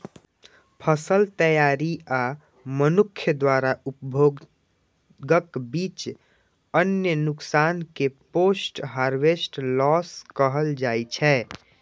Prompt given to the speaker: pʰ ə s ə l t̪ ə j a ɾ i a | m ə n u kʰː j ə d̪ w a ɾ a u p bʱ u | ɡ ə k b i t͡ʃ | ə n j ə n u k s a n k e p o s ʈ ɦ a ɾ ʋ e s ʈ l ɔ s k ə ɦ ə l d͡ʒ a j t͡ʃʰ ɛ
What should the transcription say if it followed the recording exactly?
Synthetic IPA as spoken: pʰ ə s ə l t̪ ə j a ɾ i a | m ə n u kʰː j ə d̪ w a ɾ a u p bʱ o | ɡ ə k b i t͡ʃ | ə n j ə n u k s a n k e p o s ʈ ɦ a ɾ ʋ e s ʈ l ɔ s k ə ɦ ə l d͡ʒ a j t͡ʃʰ ɛ